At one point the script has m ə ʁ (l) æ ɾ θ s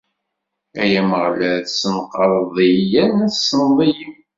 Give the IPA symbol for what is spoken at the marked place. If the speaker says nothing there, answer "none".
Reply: l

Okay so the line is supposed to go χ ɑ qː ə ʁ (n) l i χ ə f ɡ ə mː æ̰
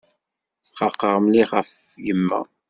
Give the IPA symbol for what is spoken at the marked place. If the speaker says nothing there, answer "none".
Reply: m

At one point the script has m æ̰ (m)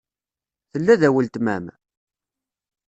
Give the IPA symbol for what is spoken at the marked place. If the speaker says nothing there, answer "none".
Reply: m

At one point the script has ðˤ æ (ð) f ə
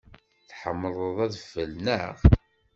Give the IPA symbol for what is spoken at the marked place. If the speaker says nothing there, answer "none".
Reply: ð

